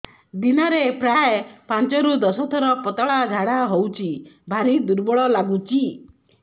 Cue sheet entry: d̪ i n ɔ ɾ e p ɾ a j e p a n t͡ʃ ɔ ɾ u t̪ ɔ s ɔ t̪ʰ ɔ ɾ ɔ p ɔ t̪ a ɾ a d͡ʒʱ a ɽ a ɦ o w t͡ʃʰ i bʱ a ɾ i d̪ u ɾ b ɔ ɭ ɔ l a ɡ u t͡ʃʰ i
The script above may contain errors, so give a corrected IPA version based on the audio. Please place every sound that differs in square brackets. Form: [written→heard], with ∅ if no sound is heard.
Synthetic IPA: d̪ i n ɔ ɾ e p ɾ a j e p a n t͡ʃ ɔ ɾ u [t̪→d̪] ɔ s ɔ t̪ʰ ɔ ɾ ɔ p ɔ t̪ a [ɾ→ɭ] a d͡ʒʱ a ɽ a ɦ o w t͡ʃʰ i bʱ a ɾ i d̪ u ɾ b ɔ ɭ ɔ l a ɡ u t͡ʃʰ i